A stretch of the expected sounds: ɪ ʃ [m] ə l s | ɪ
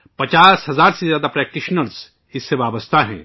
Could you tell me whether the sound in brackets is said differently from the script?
yes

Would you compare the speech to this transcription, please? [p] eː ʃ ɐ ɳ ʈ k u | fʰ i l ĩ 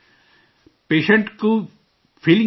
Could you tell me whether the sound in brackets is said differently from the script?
no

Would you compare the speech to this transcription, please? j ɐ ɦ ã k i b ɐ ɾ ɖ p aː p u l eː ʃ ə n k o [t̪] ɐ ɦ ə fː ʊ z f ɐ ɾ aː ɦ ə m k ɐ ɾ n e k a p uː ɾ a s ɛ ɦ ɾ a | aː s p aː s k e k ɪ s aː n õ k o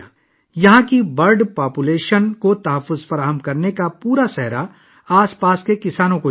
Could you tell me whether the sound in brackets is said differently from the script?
no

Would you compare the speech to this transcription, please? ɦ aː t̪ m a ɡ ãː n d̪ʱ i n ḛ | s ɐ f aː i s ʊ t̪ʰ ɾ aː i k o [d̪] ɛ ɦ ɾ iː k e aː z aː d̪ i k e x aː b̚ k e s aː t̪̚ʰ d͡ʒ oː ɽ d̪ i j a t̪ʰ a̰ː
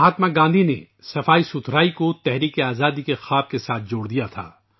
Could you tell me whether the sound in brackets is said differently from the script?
yes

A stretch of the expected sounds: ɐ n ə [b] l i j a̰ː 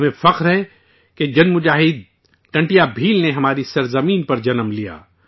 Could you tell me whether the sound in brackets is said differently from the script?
yes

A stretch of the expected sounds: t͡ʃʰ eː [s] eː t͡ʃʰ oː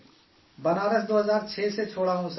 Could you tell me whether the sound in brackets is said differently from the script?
no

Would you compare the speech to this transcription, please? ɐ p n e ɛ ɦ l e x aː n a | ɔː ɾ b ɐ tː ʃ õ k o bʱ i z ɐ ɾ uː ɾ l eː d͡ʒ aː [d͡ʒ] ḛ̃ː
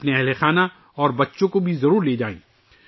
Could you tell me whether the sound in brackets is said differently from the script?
yes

